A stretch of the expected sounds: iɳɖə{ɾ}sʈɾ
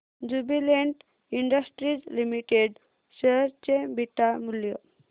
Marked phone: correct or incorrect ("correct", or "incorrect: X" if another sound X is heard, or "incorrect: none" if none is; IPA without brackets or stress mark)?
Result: incorrect: none